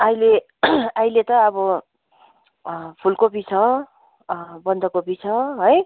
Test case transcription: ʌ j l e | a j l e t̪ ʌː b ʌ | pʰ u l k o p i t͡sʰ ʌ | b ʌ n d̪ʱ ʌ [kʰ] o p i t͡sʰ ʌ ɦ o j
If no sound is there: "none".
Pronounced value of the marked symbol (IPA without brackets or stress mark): k